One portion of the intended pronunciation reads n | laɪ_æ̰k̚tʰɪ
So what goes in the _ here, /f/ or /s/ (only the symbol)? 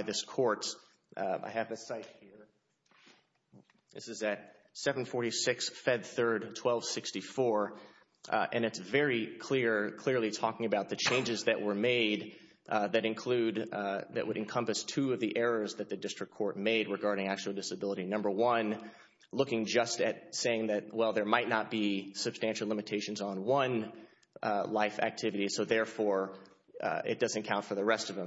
f